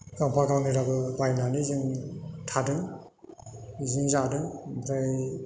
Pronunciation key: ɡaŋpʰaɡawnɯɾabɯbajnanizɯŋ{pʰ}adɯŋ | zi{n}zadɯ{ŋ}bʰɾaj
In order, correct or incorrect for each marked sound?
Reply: incorrect: tʰ, incorrect: ŋ, correct

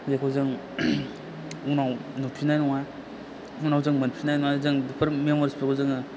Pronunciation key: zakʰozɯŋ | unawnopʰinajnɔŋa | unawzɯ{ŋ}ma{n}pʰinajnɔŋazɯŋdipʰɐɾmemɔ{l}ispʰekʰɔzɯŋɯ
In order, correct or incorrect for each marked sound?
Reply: correct, correct, incorrect: ɾ

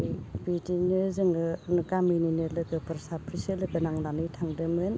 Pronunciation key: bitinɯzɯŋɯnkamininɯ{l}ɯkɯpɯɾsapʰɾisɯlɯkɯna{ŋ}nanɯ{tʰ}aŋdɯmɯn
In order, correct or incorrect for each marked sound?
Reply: correct, correct, correct

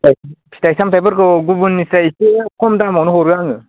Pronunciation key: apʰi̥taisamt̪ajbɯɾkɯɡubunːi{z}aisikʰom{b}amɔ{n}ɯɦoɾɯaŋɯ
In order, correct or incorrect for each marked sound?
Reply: incorrect: s, incorrect: d, correct

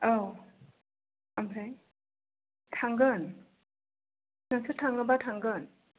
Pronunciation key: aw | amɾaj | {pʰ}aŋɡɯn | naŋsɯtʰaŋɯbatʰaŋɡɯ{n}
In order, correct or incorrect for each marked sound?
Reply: incorrect: tʰ, correct

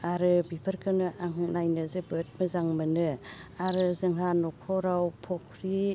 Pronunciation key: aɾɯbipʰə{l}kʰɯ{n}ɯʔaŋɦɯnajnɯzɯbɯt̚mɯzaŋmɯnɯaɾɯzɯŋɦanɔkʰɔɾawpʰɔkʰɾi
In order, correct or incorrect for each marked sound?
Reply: incorrect: ɾ, correct

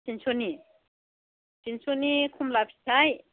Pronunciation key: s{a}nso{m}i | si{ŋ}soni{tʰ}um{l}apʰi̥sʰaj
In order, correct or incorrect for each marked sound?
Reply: incorrect: i, incorrect: n, incorrect: n, incorrect: kʰ, correct

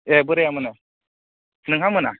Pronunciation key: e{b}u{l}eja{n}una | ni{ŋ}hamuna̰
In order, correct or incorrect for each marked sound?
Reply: correct, incorrect: ɾ, incorrect: m, correct

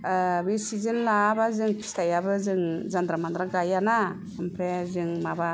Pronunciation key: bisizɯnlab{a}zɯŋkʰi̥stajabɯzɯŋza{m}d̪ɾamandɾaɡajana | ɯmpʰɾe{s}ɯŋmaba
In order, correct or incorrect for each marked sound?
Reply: correct, incorrect: n, incorrect: z

